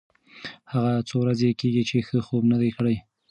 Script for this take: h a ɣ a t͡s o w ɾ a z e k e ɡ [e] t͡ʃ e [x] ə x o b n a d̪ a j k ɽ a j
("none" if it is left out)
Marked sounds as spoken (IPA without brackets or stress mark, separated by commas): i, x